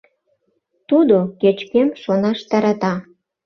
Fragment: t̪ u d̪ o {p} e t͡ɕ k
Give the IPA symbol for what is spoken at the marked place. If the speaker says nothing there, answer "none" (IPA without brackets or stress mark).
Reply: k